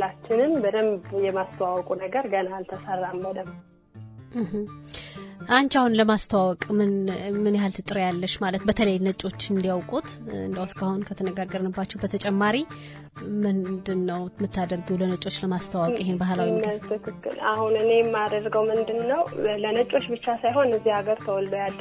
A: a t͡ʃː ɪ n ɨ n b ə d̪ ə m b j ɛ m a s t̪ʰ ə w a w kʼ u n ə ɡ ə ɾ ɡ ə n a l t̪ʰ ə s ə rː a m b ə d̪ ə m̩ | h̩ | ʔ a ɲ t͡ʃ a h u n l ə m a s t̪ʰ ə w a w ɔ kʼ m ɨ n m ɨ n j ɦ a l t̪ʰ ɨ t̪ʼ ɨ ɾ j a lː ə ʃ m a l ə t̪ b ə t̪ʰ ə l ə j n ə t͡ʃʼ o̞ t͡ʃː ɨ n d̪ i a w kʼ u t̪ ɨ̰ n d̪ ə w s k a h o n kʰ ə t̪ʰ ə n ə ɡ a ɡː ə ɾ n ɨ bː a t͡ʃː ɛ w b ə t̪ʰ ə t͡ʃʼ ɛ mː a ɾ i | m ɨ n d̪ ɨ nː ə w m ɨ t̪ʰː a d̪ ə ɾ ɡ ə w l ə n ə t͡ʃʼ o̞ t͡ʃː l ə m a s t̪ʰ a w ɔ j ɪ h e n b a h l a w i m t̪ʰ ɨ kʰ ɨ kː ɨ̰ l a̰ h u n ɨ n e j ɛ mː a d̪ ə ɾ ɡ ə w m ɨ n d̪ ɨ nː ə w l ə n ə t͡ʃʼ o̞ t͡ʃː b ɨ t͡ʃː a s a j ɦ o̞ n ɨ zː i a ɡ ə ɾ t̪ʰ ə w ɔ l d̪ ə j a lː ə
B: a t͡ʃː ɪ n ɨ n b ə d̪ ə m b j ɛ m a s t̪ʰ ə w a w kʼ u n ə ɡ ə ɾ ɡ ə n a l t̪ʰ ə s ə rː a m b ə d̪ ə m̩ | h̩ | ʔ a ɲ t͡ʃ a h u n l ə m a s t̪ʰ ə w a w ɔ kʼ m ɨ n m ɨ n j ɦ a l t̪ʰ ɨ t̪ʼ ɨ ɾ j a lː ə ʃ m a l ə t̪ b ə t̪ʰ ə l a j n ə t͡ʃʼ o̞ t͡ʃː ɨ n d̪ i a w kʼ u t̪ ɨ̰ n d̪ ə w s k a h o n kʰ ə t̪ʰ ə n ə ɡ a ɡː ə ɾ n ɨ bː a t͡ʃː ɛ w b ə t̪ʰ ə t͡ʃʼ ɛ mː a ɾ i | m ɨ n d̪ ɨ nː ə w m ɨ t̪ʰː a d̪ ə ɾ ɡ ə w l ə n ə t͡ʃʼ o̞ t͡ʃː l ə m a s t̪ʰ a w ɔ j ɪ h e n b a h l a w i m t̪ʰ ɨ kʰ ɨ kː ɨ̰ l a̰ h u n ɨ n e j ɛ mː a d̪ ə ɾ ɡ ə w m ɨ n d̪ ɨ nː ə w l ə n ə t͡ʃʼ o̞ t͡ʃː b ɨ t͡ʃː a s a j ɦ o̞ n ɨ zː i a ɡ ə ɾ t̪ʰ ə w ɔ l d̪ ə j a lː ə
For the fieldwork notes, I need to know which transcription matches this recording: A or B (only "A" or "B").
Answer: A